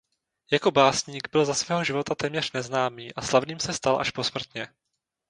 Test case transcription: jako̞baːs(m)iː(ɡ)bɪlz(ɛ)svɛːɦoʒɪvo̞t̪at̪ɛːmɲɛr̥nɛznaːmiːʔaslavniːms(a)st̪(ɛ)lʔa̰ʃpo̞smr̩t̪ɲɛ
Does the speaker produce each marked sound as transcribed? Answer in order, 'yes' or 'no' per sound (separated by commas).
no, yes, no, no, no